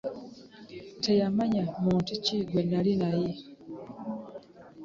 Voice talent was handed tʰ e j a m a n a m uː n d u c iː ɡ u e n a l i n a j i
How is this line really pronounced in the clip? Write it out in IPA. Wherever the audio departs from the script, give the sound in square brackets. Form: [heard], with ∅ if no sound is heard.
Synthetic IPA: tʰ e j a m a [ɲ] a m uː n [t] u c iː ɡ [w] e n a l i n a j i